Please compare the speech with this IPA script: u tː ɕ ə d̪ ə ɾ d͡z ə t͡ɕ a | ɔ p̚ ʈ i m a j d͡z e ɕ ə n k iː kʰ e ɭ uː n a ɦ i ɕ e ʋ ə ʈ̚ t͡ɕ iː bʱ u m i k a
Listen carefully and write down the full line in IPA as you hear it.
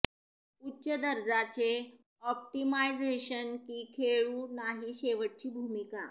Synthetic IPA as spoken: u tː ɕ ə d̪ ə ɾ d͡z a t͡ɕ e | ɔ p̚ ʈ i m a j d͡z e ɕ ə n k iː kʰ e ɭ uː n a ɦ i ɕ e ʋ ə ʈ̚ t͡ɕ iː bʱ u m i k a